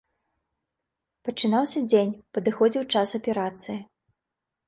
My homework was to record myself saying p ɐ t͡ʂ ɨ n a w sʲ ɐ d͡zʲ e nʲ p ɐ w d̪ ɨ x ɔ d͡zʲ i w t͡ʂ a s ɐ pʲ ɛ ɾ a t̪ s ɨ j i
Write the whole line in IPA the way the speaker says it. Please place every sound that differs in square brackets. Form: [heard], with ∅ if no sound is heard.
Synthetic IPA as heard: p ɐ t͡ʂ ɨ n a w sʲ ɐ d͡zʲ e nʲ p ɐ [∅] d̪ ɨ x ɔ d͡zʲ i w t͡ʂ a s ɐ pʲ ɛ ɾ a t̪ s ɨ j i